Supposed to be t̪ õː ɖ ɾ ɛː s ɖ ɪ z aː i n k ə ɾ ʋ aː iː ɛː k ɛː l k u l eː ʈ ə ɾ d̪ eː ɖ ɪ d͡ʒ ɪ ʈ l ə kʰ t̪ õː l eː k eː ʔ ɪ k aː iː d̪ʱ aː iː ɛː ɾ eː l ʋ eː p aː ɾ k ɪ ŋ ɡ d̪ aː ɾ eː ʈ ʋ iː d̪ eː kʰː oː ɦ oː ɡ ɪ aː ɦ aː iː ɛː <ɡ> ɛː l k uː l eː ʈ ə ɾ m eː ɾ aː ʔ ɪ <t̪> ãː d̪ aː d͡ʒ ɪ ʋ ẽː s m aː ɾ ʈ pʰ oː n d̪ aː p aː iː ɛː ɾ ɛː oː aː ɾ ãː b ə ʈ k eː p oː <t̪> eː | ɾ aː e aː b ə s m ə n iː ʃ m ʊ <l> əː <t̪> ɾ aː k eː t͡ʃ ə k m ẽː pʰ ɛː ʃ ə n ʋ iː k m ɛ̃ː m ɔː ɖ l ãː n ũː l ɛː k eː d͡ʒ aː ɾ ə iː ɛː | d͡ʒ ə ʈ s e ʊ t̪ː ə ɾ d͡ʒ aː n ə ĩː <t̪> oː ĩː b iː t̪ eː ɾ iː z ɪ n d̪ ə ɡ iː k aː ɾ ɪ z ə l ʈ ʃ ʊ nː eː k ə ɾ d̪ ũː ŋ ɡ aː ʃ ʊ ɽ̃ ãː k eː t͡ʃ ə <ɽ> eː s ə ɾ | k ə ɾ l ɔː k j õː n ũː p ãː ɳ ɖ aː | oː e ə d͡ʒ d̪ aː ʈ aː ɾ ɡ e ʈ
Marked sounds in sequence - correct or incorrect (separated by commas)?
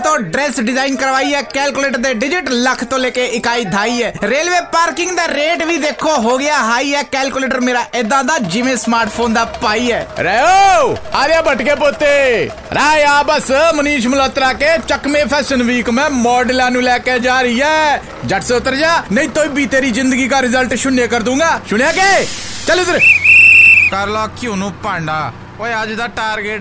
incorrect, incorrect, correct, correct, correct, correct, incorrect